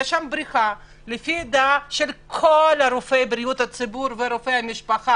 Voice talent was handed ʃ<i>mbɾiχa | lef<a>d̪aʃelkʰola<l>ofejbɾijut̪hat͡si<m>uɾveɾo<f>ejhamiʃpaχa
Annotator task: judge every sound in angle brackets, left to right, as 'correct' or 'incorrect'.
incorrect, incorrect, incorrect, incorrect, correct

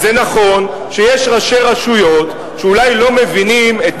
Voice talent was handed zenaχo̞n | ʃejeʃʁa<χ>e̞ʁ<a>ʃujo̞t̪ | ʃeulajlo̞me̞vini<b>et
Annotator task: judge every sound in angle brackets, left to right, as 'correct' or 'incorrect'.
incorrect, correct, incorrect

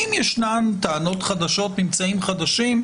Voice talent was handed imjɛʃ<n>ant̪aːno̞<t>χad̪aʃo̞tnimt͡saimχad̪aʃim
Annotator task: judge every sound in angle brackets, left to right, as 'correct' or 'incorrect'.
correct, correct

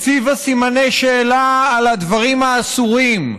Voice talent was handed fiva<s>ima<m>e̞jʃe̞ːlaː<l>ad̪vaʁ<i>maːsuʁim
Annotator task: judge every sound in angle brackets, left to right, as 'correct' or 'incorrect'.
correct, incorrect, correct, correct

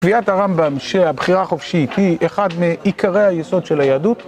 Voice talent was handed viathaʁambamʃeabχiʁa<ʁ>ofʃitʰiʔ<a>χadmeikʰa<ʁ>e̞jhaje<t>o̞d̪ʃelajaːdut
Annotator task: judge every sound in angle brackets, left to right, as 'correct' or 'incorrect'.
incorrect, incorrect, correct, incorrect

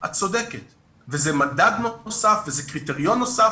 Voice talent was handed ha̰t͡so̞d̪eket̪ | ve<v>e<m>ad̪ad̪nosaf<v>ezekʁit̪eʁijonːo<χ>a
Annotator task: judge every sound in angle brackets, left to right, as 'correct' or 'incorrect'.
incorrect, correct, correct, incorrect

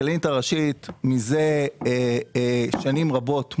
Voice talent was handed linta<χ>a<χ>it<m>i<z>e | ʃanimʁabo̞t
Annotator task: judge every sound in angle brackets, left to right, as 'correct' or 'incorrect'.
incorrect, incorrect, correct, correct

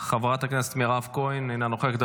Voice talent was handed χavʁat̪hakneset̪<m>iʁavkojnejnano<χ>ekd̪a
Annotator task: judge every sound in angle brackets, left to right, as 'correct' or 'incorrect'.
correct, correct

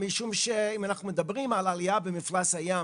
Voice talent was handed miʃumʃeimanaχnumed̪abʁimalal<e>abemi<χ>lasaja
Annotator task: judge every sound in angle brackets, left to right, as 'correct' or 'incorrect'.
incorrect, incorrect

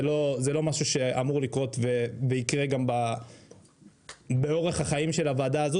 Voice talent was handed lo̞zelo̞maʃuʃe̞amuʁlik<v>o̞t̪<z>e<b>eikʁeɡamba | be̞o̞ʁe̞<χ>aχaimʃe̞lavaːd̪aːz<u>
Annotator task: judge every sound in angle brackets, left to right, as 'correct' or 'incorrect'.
incorrect, incorrect, incorrect, correct, incorrect

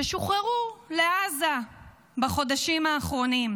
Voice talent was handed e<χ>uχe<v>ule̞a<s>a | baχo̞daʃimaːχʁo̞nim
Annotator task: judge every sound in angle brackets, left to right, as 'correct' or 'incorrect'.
incorrect, incorrect, incorrect

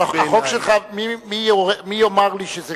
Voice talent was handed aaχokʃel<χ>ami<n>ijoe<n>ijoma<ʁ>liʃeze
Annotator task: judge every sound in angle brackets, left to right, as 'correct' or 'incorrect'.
correct, incorrect, incorrect, correct

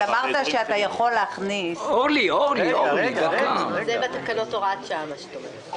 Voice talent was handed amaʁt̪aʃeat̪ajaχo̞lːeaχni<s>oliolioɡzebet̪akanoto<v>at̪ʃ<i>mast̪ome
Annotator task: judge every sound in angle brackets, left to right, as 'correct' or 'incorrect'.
correct, incorrect, incorrect

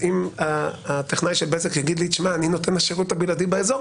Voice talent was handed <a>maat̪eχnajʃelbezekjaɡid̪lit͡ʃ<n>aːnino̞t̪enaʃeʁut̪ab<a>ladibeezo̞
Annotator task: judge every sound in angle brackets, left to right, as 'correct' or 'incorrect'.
incorrect, incorrect, incorrect

